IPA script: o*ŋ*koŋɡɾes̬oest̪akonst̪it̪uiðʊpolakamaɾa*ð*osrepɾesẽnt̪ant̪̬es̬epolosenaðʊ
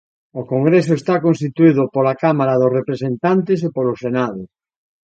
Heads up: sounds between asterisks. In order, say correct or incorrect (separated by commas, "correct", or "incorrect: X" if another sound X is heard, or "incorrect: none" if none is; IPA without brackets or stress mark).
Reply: incorrect: none, correct